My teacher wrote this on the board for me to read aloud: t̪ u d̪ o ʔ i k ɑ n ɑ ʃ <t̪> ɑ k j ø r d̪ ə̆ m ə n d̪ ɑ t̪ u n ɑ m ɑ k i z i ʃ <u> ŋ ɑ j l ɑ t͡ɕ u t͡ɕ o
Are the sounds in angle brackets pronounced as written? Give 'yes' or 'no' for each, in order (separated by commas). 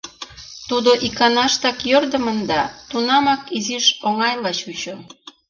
yes, no